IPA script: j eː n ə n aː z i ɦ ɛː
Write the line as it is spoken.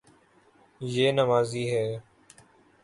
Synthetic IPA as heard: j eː n ə m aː z iː ɦ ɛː

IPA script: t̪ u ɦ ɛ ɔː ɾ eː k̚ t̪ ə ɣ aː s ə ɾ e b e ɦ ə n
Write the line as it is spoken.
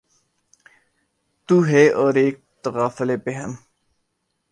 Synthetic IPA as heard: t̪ u ɦ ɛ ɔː ɾ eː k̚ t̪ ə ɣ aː f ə l e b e ɦ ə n

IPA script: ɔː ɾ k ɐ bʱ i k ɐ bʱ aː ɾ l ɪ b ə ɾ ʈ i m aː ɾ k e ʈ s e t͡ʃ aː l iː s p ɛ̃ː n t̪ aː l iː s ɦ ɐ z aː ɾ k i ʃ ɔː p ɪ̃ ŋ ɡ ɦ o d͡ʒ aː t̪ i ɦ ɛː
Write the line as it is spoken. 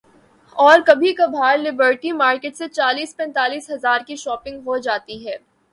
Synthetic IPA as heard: ɔː ɾ k ɐ bʱ i k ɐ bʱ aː ɾ l ɪ b ə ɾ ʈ i m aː ɾ k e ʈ s e t͡ʃ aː l iː s p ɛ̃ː n t̪ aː l iː s ɦ ɐ z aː ɾ k i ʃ ɔː p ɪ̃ ŋ ɡ ɦ o d͡ʒ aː t̪ i ɦ ɛː

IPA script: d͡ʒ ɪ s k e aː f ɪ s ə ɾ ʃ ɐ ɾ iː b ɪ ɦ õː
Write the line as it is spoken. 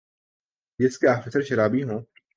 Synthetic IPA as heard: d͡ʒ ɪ s k e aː f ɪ s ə ɾ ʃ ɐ ɾ aː b i ɦ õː

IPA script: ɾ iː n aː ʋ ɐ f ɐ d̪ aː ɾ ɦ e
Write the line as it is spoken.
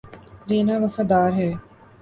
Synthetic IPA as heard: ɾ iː n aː ʋ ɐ f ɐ d̪ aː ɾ ɦ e

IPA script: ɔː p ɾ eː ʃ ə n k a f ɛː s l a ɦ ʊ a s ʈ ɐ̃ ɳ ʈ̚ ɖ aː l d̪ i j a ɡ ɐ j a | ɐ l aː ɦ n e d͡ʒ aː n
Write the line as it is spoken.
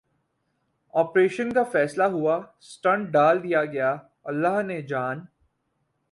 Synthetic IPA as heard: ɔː p ɾ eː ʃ ə n k a f ɛː s l a ɦ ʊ a s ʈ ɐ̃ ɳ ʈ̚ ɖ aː l d̪ i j a ɡ ɐ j a | ɐ lː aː ɦ n e d͡ʒ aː n

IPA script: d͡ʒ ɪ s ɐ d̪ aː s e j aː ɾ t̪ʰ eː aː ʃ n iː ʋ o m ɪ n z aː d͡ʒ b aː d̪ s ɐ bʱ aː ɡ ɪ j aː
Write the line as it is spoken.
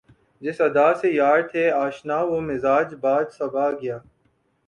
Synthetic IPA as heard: d͡ʒ ɪ s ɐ d̪ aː s e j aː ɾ t̪ʰ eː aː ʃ n aː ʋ o m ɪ z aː d͡ʒ b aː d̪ s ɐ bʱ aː ɡ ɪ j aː

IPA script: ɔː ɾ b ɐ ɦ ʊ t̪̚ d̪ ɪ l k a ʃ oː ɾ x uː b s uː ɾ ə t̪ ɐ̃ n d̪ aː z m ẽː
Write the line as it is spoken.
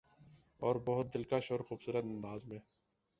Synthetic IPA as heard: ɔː ɾ b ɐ ɦ ʊ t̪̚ d̪ ɪ l k a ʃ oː ɾ x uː b s uː ɾ ə t̪ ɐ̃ n d̪ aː z m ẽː

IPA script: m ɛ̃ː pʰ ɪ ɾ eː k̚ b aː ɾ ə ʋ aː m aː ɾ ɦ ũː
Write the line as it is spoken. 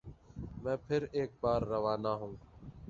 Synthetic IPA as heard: m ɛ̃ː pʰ ɪ ɾ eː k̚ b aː ɾː ə ʋ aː n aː ɦ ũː

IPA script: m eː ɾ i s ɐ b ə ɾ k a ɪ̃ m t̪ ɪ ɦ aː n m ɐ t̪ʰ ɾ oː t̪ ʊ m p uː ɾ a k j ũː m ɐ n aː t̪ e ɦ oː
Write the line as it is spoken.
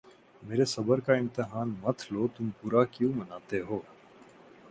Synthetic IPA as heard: m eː ɾ e s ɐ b ə ɾ k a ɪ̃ m t̪ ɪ ɦ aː n m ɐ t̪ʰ l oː t̪ ʊ m p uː ɾ a k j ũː m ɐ n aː t̪ e ɦ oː

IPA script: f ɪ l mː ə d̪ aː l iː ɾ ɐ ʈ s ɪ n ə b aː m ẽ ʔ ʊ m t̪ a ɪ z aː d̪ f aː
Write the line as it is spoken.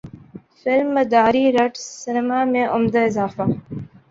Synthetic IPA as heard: f ɪ l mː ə d̪ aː ɾ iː ɾ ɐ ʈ s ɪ n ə m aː m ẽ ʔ ʊ m d̪ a ɪ z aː f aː

